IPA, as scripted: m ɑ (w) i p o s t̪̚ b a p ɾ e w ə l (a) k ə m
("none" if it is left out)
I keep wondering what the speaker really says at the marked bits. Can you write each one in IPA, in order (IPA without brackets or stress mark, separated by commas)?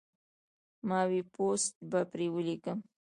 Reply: w, i